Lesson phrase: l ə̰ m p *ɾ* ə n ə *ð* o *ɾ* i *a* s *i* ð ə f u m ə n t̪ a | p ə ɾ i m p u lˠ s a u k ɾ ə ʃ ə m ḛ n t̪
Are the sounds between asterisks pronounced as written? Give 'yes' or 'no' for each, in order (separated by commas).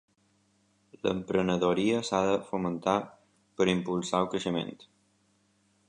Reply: yes, yes, yes, no, no